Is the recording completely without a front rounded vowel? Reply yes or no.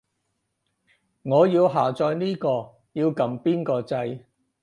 yes